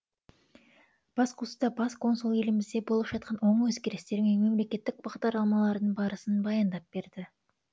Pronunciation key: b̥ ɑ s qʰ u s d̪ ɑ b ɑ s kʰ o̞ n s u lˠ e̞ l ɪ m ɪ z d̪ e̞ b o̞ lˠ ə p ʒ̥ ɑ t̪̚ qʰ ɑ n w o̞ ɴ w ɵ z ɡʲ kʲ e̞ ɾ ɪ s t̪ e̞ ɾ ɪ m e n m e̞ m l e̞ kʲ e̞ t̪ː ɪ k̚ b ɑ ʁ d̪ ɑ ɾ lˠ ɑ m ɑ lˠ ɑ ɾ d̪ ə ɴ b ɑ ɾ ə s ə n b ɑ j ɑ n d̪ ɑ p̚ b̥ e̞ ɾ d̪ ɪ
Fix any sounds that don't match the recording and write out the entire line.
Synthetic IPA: b̥ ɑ s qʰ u s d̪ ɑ b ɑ s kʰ o̞ n s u lˠ e̞ l ɪ m ɪ z d̪ e̞ b o̞ lˠ ə p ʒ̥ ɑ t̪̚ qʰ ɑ n w o̞ ɴ w ɵ z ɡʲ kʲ e̞ ɾ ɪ s t̪ e̞ ɾ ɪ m e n m e̞ m l e̞ kʲ e̞ t̪ː ɪ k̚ b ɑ ʁ d̪ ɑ ɾ lˠ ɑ m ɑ lˠ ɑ ɾ d̪ ə ɴ b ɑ ɾ ə s ə n b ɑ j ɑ n d̪ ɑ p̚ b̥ e̞ ɾ d̪ ɪ